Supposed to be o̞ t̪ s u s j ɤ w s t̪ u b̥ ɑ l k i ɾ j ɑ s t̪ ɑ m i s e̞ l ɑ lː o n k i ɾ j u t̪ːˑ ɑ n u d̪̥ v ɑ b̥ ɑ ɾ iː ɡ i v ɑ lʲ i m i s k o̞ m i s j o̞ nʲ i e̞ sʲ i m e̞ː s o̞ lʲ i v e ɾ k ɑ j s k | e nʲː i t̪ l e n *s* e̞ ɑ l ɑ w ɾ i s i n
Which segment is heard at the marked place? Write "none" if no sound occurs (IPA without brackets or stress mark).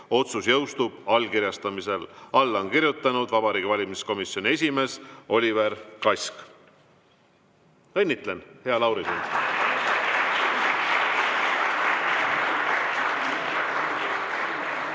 h